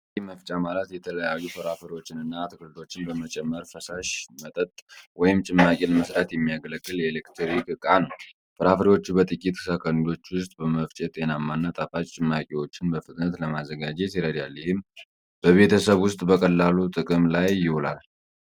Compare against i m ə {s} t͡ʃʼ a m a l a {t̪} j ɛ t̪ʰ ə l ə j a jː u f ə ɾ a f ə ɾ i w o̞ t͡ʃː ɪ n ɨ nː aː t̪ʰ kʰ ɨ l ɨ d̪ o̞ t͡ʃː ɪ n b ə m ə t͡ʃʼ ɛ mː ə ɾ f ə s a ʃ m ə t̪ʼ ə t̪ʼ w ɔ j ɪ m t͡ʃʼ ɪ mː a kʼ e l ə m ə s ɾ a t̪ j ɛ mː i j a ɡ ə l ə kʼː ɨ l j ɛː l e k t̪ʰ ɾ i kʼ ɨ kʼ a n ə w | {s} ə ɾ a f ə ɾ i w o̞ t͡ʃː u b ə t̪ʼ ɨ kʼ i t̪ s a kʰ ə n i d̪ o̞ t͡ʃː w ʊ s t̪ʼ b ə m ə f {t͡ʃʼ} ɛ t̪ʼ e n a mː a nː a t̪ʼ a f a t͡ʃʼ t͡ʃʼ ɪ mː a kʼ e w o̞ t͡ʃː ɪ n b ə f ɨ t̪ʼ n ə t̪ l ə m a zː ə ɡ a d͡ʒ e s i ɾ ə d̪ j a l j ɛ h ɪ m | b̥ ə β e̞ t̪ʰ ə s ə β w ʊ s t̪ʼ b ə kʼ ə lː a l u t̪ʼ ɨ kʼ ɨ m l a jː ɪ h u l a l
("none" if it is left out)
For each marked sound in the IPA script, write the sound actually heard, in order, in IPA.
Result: f, t̪, f, t͡ʃʼ

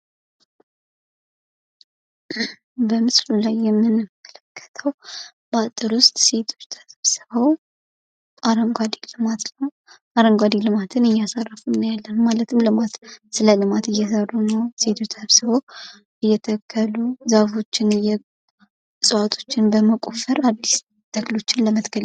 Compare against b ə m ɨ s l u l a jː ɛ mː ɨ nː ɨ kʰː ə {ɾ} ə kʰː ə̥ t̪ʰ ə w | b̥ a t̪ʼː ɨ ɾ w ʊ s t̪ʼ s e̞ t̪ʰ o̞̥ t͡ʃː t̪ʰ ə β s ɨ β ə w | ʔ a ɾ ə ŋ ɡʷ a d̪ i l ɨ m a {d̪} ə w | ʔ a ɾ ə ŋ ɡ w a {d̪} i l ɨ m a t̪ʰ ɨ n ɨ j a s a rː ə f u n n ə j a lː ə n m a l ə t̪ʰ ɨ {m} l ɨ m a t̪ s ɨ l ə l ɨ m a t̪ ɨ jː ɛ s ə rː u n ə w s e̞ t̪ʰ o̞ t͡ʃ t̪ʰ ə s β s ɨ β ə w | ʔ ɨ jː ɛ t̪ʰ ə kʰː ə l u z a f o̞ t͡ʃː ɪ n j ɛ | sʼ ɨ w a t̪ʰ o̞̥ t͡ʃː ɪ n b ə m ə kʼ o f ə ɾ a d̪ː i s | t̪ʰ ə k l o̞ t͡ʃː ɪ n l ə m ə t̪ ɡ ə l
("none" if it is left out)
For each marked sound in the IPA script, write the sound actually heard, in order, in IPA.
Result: l, t̪, d̪, m

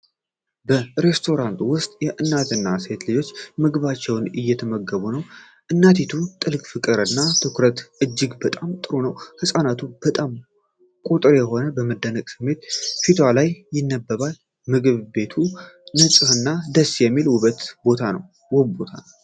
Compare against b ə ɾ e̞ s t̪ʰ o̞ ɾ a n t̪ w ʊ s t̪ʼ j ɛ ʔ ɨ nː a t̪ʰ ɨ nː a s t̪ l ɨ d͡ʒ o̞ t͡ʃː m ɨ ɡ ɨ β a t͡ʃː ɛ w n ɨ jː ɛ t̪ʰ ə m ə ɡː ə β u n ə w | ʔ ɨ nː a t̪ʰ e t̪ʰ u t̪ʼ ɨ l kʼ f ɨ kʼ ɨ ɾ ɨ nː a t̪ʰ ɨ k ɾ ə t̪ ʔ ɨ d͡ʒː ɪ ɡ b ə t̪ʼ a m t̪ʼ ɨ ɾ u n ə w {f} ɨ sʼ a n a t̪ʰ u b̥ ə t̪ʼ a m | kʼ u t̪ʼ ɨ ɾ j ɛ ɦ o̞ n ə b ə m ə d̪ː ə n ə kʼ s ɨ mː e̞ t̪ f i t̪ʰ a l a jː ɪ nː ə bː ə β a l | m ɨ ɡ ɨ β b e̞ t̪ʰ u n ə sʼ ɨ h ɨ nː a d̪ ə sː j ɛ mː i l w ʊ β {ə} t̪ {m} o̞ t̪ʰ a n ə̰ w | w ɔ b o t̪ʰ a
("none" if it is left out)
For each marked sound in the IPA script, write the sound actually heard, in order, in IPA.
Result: h, ə, b

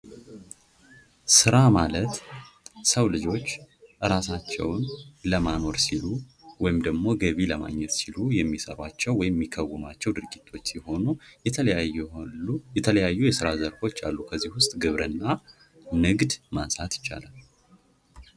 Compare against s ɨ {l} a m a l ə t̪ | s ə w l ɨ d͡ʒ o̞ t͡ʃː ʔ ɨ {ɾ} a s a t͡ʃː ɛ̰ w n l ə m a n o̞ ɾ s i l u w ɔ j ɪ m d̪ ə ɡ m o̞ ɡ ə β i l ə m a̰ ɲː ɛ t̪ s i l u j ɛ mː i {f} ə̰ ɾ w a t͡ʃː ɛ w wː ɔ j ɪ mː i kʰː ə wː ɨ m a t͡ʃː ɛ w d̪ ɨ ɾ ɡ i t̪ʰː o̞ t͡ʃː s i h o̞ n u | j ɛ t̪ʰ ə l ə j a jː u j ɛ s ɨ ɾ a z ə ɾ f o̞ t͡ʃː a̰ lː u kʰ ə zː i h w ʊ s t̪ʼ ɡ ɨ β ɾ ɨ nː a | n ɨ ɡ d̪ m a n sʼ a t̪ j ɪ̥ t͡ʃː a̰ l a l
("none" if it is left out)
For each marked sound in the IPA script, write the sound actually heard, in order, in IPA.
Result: ɾ, ɾ, s

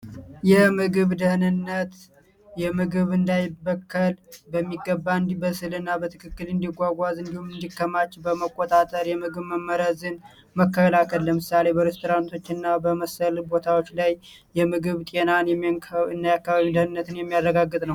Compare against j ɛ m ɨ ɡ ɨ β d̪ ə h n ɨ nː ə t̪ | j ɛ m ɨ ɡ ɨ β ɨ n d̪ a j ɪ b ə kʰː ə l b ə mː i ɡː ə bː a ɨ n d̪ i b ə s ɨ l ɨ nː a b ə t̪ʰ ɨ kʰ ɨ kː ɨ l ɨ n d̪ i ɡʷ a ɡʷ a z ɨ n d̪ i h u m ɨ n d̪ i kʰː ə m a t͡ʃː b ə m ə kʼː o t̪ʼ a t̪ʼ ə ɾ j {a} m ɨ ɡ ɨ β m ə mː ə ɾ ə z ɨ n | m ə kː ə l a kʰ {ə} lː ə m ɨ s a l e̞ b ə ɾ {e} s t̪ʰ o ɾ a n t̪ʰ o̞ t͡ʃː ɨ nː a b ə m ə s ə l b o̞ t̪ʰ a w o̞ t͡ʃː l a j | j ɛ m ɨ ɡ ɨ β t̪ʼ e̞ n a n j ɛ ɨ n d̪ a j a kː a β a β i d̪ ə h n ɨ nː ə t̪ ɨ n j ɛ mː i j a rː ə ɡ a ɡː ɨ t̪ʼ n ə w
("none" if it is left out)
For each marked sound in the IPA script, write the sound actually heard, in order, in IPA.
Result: ɛ, ə, e

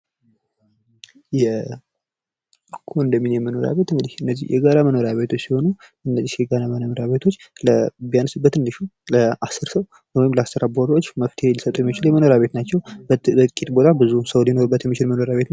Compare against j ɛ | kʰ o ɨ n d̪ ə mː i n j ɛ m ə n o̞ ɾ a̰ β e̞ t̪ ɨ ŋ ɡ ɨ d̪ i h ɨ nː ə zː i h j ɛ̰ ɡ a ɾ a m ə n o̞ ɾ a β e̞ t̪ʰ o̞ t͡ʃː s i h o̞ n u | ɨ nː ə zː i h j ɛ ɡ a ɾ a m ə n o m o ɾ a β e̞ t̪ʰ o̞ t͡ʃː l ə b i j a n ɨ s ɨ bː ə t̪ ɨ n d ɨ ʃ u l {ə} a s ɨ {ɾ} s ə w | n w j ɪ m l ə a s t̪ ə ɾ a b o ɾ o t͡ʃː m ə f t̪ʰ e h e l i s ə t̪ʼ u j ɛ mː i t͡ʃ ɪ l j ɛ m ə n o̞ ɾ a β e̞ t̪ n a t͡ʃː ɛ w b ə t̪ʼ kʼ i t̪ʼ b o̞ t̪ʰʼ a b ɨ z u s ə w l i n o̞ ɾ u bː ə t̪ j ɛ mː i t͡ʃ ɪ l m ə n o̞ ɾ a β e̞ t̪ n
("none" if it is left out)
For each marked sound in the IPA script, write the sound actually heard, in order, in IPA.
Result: ə, ɾ

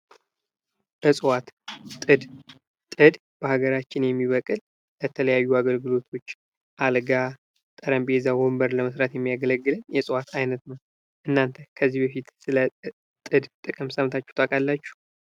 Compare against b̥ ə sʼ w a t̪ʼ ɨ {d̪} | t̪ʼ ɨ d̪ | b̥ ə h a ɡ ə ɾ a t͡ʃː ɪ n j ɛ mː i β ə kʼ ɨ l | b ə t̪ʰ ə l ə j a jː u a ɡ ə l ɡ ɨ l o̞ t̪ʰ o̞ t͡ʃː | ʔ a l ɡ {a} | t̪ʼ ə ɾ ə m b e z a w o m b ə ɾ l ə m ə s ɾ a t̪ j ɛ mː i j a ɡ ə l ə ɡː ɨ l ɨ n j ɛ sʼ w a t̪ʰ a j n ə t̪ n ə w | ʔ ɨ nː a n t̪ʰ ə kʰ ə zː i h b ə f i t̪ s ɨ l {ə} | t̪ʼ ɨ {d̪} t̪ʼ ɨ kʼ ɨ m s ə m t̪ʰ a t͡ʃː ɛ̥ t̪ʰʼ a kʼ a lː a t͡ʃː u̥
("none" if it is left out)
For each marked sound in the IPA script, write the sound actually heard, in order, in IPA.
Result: d̪, a, ə, d̪

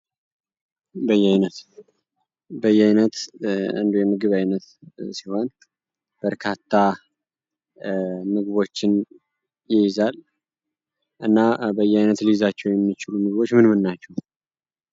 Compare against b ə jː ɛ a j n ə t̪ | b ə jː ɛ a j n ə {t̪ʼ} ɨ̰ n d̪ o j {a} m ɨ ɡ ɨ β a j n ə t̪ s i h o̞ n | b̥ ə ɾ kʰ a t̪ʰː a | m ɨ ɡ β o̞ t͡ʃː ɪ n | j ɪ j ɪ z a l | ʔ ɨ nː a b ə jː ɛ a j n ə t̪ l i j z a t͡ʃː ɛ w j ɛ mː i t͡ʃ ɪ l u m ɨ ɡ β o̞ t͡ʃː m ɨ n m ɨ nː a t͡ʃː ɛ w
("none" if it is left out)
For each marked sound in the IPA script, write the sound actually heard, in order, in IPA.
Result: t̪, ɛ

